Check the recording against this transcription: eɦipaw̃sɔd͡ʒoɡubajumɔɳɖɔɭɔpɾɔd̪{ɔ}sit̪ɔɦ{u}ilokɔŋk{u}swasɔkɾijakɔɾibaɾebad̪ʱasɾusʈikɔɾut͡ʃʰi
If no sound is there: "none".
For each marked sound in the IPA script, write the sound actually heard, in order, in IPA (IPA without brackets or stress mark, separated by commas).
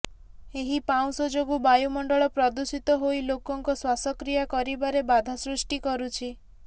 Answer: u, o, ɔ